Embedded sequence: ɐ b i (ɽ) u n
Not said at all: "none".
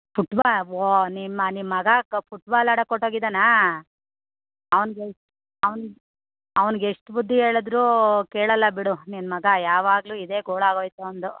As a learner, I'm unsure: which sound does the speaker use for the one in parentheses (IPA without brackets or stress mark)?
ɽ